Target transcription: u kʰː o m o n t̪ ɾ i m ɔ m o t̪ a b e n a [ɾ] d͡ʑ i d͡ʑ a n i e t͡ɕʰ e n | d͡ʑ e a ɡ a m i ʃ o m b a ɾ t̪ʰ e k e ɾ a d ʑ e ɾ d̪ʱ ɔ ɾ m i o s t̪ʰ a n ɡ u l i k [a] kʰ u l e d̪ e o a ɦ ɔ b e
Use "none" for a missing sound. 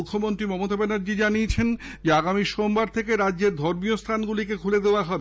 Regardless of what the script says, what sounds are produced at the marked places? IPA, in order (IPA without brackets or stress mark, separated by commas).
ɾ, e